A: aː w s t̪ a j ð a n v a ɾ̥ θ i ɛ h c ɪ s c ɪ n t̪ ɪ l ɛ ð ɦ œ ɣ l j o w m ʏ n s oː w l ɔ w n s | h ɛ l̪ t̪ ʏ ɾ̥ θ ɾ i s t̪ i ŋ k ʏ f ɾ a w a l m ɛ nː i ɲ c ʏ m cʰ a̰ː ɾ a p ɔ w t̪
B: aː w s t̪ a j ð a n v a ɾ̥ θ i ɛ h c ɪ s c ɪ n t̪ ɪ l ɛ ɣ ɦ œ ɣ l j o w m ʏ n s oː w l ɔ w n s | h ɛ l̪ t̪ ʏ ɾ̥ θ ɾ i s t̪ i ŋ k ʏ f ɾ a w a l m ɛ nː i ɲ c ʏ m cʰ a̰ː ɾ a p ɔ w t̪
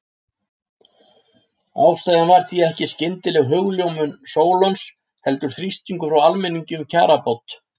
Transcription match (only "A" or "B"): B